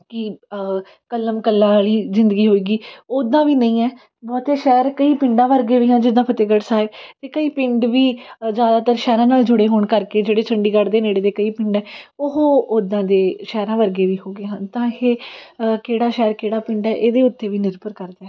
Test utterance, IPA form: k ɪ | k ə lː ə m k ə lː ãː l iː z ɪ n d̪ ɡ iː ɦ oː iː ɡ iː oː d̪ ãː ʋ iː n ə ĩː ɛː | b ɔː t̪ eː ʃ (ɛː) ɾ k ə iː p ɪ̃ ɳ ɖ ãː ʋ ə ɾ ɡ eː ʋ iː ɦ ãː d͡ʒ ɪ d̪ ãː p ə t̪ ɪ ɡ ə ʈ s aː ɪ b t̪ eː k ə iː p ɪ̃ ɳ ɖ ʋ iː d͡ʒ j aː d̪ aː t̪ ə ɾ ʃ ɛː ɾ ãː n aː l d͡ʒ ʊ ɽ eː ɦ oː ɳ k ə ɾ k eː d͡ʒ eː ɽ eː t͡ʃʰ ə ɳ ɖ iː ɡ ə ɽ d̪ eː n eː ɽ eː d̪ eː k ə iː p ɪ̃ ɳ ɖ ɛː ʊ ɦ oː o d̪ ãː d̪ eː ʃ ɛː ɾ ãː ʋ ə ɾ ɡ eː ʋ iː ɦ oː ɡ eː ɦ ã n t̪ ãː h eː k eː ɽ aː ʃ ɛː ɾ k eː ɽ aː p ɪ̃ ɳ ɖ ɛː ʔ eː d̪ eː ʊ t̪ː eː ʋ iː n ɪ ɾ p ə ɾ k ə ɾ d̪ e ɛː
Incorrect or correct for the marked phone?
correct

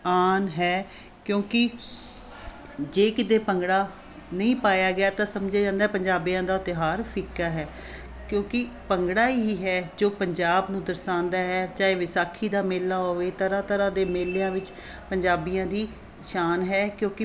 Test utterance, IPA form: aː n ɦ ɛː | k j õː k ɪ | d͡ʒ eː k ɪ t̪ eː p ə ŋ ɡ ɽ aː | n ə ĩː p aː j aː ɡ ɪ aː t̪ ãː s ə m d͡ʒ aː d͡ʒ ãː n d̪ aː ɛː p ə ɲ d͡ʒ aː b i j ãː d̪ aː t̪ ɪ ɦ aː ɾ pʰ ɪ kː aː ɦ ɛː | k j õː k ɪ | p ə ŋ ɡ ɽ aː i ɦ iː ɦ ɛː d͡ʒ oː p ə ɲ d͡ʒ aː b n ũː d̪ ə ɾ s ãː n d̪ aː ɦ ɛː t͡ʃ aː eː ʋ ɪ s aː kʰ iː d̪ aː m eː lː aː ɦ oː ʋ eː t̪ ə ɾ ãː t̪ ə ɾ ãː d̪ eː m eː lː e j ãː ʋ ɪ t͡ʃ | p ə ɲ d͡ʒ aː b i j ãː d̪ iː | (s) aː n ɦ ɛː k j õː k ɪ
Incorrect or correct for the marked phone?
incorrect: ʃ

